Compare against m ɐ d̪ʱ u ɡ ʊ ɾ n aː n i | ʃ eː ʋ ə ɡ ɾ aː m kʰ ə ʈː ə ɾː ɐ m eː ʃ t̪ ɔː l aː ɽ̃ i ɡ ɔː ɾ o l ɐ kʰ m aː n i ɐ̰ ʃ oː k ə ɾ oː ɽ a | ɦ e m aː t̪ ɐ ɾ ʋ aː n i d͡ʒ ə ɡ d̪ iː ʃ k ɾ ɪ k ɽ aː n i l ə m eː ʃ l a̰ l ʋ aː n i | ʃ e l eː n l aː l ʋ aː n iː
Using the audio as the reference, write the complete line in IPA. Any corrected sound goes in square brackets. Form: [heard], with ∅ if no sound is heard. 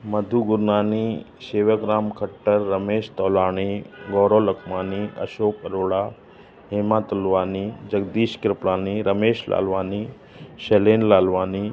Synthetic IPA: m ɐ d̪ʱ u ɡ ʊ ɾ n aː n i | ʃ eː ʋ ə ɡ ɾ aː m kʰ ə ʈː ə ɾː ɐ m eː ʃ t̪ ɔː l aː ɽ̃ i ɡ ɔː ɾ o l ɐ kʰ m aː n i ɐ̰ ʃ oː k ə ɾ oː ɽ a | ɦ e m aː t̪ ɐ [l] ʋ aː n i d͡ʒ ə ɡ d̪ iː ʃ k ɾ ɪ [p] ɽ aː n i [ɾ] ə m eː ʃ l a̰ l ʋ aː n i | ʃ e l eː n l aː l ʋ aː n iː

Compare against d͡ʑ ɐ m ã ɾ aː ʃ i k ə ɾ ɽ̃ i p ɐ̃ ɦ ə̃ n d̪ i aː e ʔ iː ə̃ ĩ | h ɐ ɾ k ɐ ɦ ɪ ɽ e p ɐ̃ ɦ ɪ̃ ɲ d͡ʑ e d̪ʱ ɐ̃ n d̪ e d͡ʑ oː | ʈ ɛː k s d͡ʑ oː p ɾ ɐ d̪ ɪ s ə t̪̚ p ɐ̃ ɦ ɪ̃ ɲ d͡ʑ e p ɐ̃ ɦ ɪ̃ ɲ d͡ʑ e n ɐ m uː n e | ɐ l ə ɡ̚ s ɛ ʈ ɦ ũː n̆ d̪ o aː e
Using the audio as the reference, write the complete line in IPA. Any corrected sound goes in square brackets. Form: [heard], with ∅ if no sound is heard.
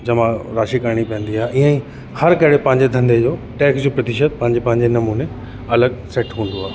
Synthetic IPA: d͡ʑ ɐ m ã ɾ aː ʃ i k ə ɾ ɽ̃ i p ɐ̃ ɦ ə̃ n d̪ i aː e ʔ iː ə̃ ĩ | h ɐ ɾ k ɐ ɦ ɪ ɽ e p ɐ̃ ɦ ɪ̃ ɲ d͡ʑ e d̪ʱ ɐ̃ n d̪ e d͡ʑ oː | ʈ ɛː k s d͡ʑ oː p ɾ ɐ [t̪] ɪ [ʃ] ə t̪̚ p ɐ̃ ɦ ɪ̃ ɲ d͡ʑ e p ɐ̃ ɦ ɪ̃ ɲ d͡ʑ e n ɐ m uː n e | ɐ l ə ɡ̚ s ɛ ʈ ɦ ũː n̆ d̪ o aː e

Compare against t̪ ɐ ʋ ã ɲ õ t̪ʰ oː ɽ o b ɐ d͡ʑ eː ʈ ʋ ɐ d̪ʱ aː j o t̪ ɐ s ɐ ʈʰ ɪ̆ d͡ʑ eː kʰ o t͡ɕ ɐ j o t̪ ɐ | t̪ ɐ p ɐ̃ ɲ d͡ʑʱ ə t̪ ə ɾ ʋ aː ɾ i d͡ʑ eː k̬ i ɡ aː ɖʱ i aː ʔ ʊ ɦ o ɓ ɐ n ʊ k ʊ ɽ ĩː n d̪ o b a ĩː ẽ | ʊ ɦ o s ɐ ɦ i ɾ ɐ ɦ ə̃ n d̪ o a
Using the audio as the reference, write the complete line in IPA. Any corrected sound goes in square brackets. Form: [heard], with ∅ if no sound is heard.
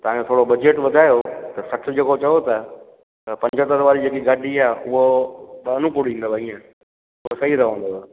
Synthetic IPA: t̪ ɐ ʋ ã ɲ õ t̪ʰ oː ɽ o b ɐ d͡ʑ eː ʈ ʋ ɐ d̪ʱ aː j o t̪ ɐ s ɐ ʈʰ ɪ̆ d͡ʑ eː [k] o t͡ɕ ɐ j o t̪ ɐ | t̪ ɐ p ɐ̃ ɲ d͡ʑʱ ə t̪ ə ɾ ʋ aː ɾ i d͡ʑ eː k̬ i ɡ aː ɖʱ i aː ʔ ʊ ɦ o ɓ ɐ n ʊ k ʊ ɽ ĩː n d̪ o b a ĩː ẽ | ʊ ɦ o s ɐ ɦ i ɾ ɐ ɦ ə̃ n d̪ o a

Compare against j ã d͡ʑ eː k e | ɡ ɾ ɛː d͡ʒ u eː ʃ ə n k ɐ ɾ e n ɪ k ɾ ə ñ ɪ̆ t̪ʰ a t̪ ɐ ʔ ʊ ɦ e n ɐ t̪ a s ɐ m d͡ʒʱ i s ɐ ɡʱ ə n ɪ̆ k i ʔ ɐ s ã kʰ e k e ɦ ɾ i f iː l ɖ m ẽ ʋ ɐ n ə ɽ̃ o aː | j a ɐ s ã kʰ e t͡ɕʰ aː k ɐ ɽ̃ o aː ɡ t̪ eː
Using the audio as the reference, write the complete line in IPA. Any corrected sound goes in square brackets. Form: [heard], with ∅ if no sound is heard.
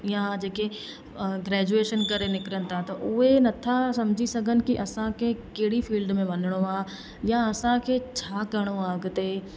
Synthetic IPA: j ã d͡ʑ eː k e | ɡ ɾ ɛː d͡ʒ u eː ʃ ə n k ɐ ɾ e n ɪ k ɾ ə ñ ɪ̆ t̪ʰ a t̪ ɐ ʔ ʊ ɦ e n ɐ [t̪ʰ] a s ɐ m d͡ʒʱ i s ɐ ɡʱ ə n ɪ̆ k i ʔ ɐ s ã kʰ e k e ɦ [ɽ] i f iː l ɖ m ẽ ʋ ɐ n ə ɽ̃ o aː | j a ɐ s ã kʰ e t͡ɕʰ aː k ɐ ɽ̃ o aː ɡ t̪ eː

